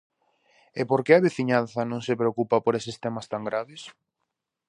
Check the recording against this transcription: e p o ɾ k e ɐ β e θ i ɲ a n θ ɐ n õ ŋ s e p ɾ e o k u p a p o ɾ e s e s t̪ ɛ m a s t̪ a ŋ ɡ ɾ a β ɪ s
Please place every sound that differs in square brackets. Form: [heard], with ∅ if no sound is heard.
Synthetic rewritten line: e p o ɾ k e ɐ β e θ i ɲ a n θ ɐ n õ ŋ s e p ɾ e o k u p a p o ɾ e s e s t̪ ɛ m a s t̪ a ŋ ɡ ɾ a β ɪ s